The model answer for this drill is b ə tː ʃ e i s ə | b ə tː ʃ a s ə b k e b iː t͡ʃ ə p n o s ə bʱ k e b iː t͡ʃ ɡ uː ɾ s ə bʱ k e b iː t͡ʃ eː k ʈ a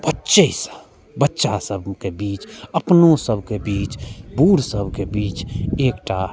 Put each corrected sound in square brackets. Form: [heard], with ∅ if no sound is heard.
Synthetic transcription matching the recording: b ə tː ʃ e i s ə | b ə tː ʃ a s ə b k e b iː t͡ʃ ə p n o s ə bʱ k e b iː t͡ʃ [b] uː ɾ s ə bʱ k e b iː t͡ʃ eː k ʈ a